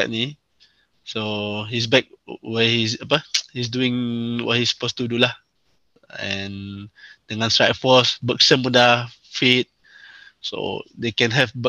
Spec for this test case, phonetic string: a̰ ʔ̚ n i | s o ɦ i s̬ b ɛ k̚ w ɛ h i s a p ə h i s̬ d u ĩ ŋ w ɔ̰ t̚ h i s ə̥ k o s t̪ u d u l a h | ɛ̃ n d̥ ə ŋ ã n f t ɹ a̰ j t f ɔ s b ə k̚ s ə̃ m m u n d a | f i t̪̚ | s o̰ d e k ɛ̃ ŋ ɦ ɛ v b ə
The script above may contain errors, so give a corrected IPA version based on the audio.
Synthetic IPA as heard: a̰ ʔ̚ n i | s o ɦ i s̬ b ɛ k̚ w ɛ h i s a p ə h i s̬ d u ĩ ŋ w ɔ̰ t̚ h i s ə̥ p o s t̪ u d u l a h | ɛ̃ n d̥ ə ŋ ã n s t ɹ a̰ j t f ɔ s b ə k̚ s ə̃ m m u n d a | f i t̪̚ | s o̰ d e k ɛ̃ n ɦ ɛ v b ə